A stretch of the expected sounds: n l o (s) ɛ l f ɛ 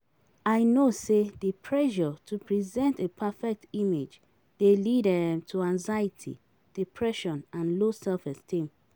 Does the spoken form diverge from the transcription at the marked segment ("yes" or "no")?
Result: no